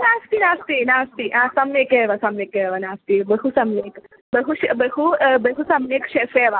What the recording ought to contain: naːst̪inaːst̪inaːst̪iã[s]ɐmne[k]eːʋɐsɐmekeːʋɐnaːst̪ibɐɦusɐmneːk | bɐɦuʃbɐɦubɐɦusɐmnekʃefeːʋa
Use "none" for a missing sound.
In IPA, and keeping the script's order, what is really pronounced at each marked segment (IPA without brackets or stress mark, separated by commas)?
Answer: s, k